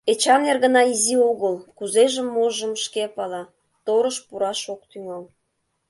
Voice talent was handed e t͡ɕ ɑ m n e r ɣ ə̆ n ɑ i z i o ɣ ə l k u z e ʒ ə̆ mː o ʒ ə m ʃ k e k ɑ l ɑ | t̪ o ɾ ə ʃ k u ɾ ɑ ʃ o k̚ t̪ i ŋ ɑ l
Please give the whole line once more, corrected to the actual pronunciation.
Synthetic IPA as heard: e t͡ɕ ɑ m n e r ɣ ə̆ n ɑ i z i o ɣ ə l k u z e ʒ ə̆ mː o ʒ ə m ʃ k e p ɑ l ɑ | t̪ o ɾ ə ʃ p u ɾ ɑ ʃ o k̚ t̪ y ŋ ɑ l